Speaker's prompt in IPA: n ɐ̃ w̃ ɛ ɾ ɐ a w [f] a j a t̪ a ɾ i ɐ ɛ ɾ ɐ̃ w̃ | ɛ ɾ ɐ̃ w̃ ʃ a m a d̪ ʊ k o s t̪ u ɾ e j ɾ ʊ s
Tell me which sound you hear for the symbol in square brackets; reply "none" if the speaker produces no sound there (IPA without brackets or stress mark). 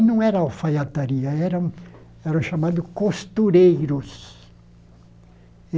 f